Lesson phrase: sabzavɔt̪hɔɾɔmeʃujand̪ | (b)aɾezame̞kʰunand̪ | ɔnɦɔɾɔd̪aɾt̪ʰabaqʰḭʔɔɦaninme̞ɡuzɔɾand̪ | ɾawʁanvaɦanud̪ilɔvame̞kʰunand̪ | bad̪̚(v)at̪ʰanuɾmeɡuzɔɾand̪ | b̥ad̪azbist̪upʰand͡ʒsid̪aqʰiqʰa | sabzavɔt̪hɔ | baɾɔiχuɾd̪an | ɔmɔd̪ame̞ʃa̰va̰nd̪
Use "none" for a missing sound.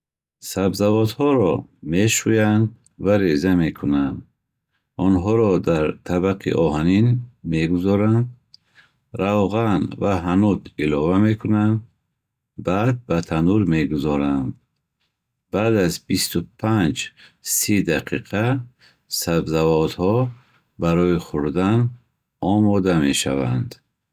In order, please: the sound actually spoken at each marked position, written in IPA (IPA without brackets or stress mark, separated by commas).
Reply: v, b